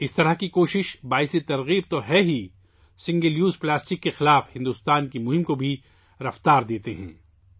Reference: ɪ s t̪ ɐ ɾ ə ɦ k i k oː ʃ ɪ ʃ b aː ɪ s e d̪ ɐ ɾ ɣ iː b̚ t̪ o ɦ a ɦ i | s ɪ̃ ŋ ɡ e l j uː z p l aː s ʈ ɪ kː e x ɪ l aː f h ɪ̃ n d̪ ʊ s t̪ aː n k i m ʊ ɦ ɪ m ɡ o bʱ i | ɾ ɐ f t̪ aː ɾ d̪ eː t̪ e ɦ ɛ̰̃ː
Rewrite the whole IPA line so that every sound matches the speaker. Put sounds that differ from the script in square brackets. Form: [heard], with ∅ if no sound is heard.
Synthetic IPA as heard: ɪ s t̪ ɐ ɾ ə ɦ k i k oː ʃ ɪ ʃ b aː ɪ s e [t̪] ɐ ɾ ɣ iː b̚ t̪ o ɦ [ɛ] ɦ i | s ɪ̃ ŋ ɡ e l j uː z p l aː s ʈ ɪ kː e x ɪ l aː f h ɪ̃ n d̪ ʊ s t̪ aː n k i m ʊ ɦ ɪ m [k] o bʱ i | ɾ ɐ f t̪ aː ɾ d̪ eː t̪ e ɦ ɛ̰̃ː